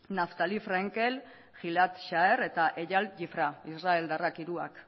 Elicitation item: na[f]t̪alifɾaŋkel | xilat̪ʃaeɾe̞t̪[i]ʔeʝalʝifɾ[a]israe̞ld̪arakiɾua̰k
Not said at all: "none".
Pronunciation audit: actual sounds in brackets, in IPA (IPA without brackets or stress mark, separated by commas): f, a, a